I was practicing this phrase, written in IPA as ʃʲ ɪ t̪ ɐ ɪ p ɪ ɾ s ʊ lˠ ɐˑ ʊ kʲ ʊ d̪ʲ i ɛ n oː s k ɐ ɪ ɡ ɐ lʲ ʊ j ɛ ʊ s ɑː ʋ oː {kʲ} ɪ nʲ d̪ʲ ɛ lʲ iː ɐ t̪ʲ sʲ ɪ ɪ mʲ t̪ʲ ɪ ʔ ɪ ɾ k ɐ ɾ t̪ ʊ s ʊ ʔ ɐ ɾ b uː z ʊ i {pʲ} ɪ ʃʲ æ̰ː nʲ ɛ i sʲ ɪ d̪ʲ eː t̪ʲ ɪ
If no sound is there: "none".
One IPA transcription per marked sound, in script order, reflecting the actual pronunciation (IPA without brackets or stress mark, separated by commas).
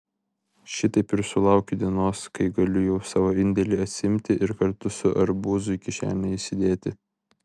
none, kʲ